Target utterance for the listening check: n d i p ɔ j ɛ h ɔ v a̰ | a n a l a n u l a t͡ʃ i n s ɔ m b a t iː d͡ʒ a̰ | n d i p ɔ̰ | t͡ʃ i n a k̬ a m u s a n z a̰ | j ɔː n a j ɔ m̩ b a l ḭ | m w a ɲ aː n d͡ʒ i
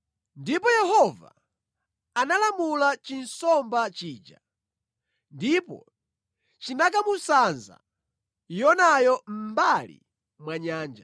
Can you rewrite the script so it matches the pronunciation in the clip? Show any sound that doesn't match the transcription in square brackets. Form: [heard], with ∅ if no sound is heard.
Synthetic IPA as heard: n d i p ɔ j ɛ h ɔ v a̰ | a n a l a [m] u l a t͡ʃ i n s ɔ m b a [t͡ʃ] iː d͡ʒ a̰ | n d i p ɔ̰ | t͡ʃ i n a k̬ a m u s a n z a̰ | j [ɔ] n a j ɔ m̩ b a l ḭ | m w a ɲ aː n d͡ʒ [a]